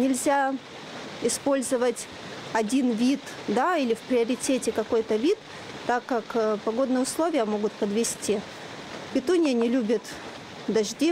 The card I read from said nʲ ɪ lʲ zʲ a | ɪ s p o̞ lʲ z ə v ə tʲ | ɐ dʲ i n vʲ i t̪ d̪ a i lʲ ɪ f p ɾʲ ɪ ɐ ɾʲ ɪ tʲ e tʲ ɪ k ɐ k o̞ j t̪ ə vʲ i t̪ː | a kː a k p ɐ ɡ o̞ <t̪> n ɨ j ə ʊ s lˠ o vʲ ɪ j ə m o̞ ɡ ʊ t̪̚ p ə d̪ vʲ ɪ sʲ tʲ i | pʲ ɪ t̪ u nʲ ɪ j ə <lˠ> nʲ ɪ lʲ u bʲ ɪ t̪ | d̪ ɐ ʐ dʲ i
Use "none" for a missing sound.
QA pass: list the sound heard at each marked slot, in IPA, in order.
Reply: d̪, none

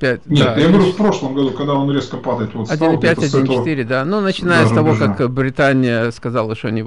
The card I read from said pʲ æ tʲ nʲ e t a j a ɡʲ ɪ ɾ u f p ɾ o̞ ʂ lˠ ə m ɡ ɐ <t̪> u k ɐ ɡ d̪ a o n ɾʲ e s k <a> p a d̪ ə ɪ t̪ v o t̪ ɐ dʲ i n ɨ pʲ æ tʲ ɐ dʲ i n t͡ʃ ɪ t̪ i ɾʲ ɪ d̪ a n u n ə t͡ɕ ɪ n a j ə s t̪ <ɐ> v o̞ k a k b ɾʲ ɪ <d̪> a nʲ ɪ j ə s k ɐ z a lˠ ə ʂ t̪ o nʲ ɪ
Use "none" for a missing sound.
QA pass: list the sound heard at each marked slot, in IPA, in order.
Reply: d̪, ə, ɐ, t̪

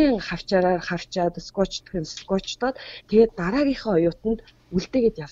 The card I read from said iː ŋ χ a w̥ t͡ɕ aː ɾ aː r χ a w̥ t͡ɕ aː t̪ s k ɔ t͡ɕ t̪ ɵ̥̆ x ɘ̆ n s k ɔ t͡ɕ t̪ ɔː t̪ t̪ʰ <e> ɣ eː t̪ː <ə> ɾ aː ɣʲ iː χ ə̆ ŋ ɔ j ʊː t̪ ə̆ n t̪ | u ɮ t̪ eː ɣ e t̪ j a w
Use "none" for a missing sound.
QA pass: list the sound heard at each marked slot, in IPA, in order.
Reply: e, a

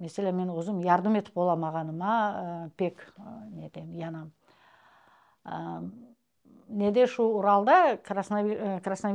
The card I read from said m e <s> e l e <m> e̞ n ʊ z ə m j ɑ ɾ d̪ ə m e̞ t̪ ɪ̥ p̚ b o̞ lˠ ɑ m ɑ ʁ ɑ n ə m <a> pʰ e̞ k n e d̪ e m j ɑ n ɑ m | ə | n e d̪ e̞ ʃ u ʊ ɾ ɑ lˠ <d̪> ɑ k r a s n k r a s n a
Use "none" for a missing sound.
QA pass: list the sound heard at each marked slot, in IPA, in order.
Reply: s, m, ɑ, d̪

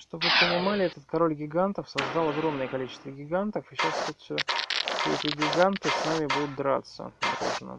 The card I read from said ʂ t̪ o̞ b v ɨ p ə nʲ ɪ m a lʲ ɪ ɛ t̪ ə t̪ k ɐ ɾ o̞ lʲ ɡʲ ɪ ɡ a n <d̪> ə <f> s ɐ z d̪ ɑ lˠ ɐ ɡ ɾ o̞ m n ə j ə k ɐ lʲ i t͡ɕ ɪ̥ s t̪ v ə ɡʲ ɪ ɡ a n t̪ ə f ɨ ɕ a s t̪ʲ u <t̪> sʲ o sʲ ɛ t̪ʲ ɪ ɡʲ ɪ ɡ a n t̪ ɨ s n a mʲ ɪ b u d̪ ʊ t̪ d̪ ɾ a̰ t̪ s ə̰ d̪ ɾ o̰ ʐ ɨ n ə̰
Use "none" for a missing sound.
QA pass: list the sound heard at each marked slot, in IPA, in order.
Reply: t̪, f, t̪

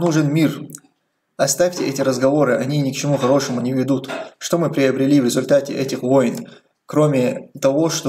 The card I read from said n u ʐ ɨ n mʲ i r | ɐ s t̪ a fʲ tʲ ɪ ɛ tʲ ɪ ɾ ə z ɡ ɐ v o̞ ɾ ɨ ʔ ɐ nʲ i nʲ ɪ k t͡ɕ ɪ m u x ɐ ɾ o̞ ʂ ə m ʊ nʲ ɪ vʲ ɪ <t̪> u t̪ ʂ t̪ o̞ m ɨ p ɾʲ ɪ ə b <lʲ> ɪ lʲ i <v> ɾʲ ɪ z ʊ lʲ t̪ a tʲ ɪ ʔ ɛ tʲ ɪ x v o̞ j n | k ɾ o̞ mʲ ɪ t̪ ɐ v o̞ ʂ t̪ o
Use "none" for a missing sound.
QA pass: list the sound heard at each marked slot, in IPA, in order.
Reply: d̪, ɾʲ, v

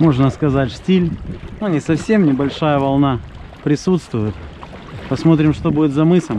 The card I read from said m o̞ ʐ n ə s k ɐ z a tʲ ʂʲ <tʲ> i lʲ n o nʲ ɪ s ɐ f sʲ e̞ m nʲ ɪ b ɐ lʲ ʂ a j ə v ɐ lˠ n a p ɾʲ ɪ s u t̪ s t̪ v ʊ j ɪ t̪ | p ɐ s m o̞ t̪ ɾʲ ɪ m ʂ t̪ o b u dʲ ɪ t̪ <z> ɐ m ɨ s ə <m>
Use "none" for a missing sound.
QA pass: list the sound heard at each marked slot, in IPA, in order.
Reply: tʲ, z, m

